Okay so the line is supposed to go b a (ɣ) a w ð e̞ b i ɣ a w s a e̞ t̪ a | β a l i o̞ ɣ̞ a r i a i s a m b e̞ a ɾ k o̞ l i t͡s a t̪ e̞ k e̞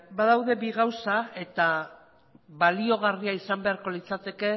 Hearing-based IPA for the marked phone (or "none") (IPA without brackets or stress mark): ð